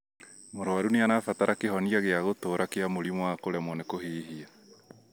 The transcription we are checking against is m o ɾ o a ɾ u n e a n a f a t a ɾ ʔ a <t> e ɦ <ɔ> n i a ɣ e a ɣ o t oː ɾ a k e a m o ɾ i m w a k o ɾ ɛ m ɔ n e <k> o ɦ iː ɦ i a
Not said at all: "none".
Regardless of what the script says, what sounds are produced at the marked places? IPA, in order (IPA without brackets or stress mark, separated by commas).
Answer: k, ɔ, k